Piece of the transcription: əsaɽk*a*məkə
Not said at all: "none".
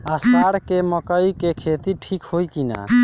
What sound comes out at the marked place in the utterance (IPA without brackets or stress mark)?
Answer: e